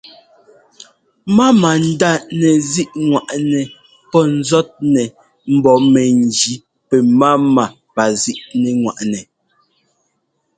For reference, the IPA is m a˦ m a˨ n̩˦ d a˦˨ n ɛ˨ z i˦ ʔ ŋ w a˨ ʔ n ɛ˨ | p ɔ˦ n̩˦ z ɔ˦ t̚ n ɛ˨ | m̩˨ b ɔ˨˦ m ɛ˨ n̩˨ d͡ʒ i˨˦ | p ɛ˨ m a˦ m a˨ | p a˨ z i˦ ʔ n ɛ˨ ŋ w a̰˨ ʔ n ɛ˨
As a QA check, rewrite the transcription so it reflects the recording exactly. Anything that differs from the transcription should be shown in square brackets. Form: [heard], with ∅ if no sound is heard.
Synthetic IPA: m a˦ m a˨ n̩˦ d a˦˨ n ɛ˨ z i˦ ʔ ŋ w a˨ ʔ n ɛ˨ | p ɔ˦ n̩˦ z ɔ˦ t̚ n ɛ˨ | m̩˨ b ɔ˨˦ m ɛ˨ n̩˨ d͡ʒ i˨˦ | p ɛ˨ m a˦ m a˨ | p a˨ z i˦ ʔ n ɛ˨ ŋ w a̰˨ ʔ n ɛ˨